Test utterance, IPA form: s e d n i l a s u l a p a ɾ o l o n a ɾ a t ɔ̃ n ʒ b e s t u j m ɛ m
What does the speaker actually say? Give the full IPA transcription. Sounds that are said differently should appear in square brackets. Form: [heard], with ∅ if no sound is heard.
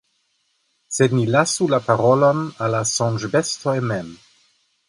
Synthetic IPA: s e d n i l a s u l a p a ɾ o l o n a [l] a [s] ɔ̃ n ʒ b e s t [o] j m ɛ m